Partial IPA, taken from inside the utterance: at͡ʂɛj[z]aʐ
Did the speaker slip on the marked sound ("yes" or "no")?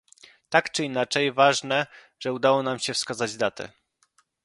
yes